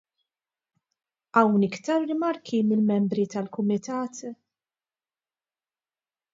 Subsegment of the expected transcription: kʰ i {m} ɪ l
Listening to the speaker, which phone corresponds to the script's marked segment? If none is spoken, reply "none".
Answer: m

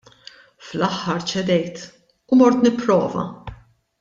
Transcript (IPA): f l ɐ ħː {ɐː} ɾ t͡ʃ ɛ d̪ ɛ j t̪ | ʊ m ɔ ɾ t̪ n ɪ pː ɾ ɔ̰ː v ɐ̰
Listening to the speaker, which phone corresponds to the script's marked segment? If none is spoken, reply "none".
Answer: ɐ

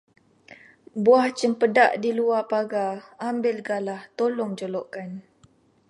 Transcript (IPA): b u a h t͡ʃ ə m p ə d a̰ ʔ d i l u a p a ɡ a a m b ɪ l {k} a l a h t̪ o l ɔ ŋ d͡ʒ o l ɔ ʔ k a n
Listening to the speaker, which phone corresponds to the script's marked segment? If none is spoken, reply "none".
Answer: ɡ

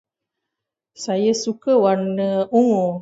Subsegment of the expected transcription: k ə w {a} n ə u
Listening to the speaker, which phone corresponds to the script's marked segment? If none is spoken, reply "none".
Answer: a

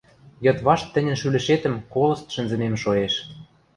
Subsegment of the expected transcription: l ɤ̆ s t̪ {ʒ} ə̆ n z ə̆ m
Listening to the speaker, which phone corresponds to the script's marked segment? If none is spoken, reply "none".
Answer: ʃ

